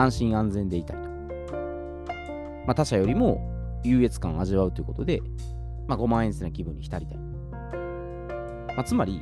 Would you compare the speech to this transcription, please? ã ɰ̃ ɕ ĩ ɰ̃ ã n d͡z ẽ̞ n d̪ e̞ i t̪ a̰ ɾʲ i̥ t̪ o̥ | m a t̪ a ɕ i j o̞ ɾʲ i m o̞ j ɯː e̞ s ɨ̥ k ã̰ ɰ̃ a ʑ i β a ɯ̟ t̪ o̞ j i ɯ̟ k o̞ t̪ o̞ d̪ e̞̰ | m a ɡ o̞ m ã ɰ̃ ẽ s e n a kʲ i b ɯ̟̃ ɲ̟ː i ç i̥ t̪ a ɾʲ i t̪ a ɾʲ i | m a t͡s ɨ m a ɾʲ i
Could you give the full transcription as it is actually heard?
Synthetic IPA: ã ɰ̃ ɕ ĩ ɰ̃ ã n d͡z ẽ̞ n d̪ e̞ i t̪ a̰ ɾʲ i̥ t̪ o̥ | m a t̪ a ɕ a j o̞ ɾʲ i m o̞ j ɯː e̞ t͡s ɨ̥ k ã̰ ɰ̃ a ʑ i β a ɯ̟ t̪ o̞ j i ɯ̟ k o̞ t̪ o̞ d̪ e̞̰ | m a ɡ o̞ m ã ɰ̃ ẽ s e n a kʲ i b ɯ̟̃ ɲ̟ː i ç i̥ t̪ a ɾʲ i t̪ a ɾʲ i | m a t͡s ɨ m a ɾʲ i